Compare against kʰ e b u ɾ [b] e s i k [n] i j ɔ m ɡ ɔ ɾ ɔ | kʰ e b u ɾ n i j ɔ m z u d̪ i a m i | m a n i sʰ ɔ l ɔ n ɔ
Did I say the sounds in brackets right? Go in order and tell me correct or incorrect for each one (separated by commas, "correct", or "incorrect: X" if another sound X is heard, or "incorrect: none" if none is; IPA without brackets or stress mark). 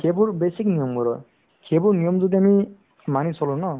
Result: correct, correct